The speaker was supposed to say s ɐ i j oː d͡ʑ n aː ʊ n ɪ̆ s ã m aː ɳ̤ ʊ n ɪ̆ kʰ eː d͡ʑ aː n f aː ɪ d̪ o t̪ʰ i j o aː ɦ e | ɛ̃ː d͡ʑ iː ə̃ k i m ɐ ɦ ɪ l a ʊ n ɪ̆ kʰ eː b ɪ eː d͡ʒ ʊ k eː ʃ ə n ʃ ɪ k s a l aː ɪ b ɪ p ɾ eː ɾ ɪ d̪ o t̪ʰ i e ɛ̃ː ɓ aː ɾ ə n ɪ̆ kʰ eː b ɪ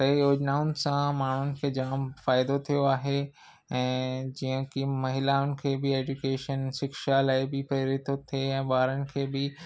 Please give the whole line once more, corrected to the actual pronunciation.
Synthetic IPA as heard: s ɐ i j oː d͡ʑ n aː ʊ n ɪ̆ s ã m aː ɳ̤ ʊ n ɪ̆ kʰ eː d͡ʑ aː m f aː ɪ d̪ o t̪ʰ i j o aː ɦ e | ɛ̃ː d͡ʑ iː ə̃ k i m ɐ ɦ ɪ l a ʊ n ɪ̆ kʰ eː b ɪ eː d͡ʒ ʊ k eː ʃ ə n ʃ ɪ k ʃ a l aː ɪ b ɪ p ɾ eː ɾ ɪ t̪ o t̪ʰ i e ɛ̃ː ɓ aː ɾ ə n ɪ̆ kʰ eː b ɪ